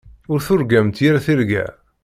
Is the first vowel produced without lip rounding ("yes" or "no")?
no